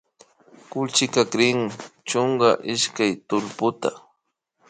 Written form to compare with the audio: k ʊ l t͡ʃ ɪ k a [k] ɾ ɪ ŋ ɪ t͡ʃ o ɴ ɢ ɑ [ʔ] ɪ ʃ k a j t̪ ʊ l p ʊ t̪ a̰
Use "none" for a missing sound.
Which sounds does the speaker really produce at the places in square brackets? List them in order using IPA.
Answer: k, ʔ

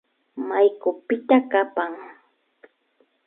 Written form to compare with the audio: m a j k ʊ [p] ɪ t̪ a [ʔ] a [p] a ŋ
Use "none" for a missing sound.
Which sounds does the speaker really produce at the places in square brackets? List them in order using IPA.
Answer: p, k, p

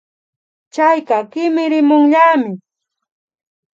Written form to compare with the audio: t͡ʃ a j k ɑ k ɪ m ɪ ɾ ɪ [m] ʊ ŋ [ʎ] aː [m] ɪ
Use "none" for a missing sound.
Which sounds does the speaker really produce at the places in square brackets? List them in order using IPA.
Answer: m, ʎ, m

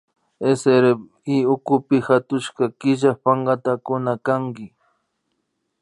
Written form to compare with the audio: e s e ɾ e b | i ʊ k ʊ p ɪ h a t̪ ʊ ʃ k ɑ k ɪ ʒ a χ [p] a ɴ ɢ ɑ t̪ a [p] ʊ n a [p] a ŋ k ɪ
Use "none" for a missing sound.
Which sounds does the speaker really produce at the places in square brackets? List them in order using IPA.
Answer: p, k, k

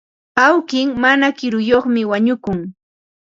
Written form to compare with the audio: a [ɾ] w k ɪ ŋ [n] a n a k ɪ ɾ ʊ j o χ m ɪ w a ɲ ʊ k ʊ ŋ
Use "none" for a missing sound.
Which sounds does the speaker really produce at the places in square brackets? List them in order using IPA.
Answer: none, m

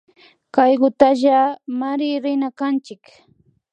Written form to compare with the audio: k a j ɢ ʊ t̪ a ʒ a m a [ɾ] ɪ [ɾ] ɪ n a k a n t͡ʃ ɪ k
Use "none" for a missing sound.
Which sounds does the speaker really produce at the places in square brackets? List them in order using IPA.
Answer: ɾ, ɾ

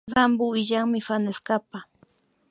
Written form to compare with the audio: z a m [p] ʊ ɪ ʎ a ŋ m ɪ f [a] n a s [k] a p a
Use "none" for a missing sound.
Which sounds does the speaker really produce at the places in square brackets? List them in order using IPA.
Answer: b, a, k

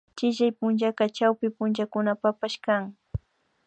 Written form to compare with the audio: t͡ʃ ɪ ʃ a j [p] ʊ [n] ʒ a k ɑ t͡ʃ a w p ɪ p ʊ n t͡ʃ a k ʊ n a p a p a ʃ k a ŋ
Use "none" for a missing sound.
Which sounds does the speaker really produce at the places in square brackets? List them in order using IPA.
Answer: p, n

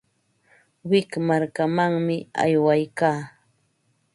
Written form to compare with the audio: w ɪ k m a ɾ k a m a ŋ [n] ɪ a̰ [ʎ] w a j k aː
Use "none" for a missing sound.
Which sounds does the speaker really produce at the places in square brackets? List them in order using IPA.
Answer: m, j

